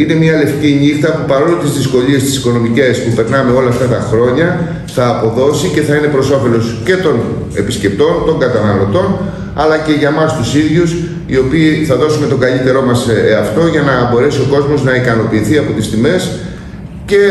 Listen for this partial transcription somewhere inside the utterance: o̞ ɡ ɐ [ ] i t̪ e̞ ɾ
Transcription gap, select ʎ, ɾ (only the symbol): ʎ